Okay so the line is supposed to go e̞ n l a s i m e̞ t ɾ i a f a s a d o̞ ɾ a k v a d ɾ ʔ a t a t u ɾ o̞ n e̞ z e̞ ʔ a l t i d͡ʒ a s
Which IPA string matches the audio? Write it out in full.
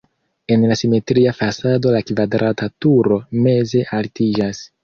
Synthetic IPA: e̞ n l a s i m e̞ t ɾ i a f a s a d o̞ l a k v a d ɾ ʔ a t a t u ɾ o̞ m e̞ z e̞ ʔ a l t i d͡ʒ a s

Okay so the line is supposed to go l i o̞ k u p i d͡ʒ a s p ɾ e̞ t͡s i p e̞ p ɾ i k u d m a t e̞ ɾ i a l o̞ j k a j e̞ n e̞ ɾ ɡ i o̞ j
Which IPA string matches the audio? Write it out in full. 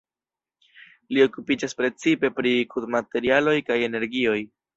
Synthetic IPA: l i o̞ k u p i d͡ʒ a s p ɾ e̞ t͡s i p e̞ p ɾ i k u d m a t e̞ ɾ i a l o̞ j k a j e̞ n e̞ ɾ ɡ i o̞ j

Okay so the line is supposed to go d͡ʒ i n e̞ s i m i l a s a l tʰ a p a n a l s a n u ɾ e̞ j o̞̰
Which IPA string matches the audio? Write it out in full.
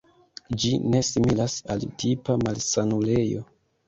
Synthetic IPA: d͡ʒ i n e̞ s i m i l a s a l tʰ i p a m a l s a n u l e̞ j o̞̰

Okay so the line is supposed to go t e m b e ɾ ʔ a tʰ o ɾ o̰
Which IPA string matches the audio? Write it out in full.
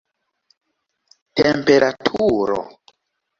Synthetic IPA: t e m p e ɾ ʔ a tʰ u ɾ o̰

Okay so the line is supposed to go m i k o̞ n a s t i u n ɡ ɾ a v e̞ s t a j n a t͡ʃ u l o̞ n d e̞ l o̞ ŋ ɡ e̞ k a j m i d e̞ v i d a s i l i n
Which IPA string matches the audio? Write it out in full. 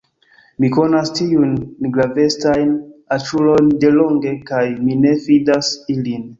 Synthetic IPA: m i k o̞ n a s t i u n ɡ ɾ a v e̞ s t a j n a t͡ʃ u l o̞ n d e̞ l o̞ ŋ ɡ e̞ k a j m i n e̞ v i d a s i l i n

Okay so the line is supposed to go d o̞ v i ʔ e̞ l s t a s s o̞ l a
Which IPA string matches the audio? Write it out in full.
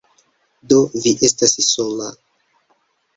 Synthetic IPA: d o̞ v i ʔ e̞ s t a s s o̞ l a

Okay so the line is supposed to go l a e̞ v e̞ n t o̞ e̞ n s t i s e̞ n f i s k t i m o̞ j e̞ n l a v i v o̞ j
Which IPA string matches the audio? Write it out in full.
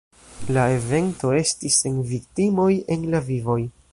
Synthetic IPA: l a e̞ v e̞ n t o̞ e̞ s t i s e̞ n v i k t i m o̞ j e̞ n l a v i v o̞ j

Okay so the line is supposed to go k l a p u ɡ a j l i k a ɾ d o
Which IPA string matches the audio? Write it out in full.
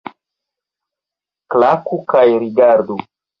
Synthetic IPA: k l a k u k a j ɾ i ɡ a ɾ d u

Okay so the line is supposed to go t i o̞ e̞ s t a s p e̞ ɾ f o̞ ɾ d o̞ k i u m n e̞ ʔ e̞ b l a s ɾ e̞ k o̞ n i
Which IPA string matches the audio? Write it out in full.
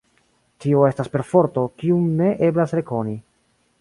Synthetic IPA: t i o̞ e̞ s t a s p e̞ ɾ f o̞ ɾ t o̞ k i u m n e̞ ʔ e̞ b l a s ɾ e̞ k o̞ n i

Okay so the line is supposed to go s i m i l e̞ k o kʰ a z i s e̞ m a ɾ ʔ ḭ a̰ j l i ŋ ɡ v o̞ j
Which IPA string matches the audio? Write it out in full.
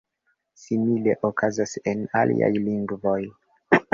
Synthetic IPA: s i m i l e̞ ʔ o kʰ a z a s e̞ n a l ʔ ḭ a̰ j l i ŋ ɡ v o̞ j

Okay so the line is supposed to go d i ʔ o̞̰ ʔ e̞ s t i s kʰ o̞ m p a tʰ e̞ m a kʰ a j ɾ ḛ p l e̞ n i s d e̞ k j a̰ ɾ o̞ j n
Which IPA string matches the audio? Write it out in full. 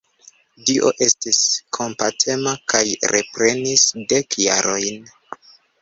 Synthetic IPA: d i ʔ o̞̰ ʔ e̞ s t i s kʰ o̞ m p a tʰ e̞ m a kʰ a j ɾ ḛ p ɾ e̞ n i s d e̞ k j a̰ ɾ o̞ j n

